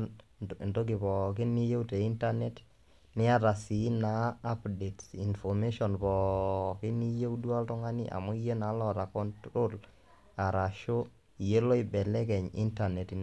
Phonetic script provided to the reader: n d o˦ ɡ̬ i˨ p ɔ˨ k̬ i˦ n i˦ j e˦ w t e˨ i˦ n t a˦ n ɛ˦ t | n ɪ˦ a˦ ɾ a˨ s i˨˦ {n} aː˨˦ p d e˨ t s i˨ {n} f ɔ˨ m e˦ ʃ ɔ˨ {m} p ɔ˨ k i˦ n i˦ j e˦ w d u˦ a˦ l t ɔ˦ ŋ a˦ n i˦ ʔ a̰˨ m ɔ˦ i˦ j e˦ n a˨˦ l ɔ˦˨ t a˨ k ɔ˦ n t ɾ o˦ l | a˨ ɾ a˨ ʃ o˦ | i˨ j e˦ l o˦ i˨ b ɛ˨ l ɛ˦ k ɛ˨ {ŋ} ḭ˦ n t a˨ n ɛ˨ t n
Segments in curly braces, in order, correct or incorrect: correct, correct, incorrect: n, incorrect: ɲ

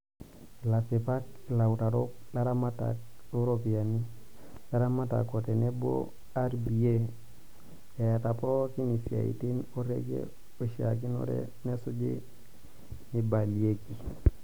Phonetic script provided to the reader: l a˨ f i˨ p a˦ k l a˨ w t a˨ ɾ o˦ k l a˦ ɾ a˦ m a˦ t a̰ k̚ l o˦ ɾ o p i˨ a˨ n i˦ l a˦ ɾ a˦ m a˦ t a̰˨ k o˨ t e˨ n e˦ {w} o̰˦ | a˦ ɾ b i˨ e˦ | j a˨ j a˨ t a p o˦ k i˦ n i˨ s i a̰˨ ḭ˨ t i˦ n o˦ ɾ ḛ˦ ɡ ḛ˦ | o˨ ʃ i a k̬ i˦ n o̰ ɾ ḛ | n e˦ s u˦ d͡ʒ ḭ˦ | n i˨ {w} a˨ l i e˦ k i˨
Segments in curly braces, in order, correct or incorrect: incorrect: b, incorrect: b

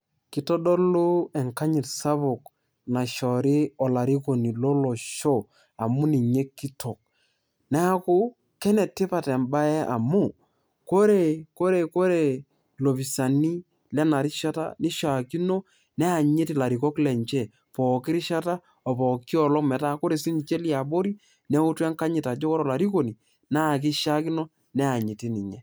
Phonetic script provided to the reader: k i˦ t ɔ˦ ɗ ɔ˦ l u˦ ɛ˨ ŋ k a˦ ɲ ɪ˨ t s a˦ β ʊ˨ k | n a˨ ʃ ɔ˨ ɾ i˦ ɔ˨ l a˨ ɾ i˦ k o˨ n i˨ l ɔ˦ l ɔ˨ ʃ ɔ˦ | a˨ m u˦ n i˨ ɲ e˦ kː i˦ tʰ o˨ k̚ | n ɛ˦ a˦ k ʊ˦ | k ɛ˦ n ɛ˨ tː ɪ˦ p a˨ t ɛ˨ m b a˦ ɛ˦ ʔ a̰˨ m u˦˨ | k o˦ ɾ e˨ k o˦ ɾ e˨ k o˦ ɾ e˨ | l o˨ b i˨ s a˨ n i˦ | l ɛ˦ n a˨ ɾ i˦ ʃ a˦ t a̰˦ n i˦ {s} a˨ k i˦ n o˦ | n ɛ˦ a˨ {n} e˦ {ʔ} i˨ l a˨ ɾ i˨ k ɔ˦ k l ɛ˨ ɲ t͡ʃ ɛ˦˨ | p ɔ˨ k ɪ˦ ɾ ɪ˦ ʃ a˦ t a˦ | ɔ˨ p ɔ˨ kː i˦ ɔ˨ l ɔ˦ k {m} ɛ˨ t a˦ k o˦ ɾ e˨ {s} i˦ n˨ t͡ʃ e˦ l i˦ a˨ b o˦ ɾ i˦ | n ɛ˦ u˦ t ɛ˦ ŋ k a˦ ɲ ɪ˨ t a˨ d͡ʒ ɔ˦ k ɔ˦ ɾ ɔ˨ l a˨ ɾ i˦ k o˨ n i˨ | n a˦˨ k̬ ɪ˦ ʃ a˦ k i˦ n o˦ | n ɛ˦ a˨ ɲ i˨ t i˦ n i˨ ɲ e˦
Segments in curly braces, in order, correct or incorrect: incorrect: ʃ, incorrect: ɲ, incorrect: t, correct, correct

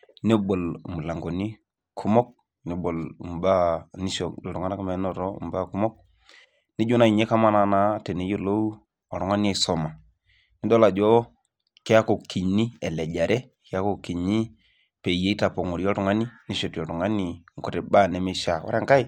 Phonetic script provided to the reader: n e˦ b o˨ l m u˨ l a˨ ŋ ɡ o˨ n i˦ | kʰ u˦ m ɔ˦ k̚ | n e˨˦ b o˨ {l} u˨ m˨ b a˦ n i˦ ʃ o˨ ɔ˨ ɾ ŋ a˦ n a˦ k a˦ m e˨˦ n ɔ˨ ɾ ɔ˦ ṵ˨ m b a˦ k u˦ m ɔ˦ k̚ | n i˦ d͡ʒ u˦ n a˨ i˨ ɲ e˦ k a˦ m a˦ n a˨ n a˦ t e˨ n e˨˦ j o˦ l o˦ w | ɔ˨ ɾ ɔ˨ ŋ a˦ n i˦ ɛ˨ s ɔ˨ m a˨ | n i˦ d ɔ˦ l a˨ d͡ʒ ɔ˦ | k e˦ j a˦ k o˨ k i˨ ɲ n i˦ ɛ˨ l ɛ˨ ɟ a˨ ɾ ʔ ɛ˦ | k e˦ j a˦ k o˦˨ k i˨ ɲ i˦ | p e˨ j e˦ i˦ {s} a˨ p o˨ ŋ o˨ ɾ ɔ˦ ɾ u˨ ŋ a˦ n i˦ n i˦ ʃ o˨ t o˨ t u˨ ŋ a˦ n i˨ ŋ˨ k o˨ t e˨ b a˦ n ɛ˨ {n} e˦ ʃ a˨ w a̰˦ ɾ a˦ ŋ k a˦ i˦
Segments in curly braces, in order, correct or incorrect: correct, incorrect: t, incorrect: m

